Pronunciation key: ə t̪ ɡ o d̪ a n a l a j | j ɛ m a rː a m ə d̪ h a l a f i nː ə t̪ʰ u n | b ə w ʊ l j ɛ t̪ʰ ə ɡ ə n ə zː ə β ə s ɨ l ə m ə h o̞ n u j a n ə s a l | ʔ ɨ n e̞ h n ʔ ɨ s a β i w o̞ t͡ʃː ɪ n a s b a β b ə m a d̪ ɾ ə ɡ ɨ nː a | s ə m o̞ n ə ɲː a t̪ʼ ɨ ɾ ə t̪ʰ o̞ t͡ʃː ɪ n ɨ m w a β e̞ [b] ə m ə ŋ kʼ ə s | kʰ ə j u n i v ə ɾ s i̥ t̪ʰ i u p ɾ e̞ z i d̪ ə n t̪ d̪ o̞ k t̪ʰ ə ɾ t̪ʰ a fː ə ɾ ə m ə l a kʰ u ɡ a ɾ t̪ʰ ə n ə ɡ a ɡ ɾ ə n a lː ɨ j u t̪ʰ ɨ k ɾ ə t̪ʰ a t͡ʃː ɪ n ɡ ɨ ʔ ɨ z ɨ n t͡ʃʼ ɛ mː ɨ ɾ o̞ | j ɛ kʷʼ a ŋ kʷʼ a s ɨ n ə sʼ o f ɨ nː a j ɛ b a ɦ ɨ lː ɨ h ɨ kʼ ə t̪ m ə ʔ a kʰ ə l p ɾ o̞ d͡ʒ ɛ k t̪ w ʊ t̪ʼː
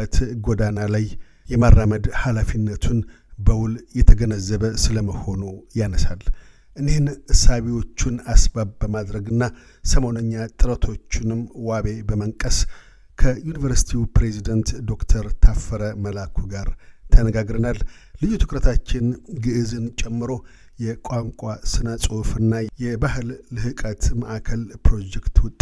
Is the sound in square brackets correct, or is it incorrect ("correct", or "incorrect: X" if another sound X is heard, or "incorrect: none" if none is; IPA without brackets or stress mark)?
correct